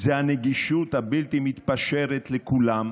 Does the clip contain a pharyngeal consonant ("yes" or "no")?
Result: no